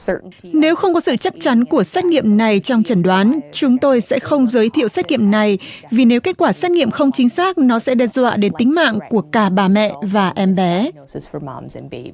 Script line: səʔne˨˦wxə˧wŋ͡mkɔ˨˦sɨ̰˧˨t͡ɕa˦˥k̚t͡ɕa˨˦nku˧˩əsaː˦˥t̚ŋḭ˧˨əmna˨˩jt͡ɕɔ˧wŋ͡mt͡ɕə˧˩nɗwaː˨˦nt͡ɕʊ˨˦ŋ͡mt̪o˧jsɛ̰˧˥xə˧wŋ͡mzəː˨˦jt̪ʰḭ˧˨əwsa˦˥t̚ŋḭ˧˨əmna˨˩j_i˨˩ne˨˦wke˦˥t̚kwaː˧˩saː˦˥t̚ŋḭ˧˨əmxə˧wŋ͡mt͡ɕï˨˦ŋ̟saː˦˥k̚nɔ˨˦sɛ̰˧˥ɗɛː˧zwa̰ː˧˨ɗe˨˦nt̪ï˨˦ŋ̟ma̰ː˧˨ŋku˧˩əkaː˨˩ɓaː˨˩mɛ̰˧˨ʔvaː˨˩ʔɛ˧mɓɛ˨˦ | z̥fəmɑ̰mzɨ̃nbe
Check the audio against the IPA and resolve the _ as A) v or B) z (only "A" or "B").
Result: A